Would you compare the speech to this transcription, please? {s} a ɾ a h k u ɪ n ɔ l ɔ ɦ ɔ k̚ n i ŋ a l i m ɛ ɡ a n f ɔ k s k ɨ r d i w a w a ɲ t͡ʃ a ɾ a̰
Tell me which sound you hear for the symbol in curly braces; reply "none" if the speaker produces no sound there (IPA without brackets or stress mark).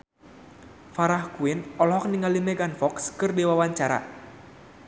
f